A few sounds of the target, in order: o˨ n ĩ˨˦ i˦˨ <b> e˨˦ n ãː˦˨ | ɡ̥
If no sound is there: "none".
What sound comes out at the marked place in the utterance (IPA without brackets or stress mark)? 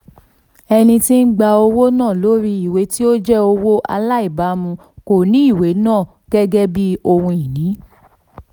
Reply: w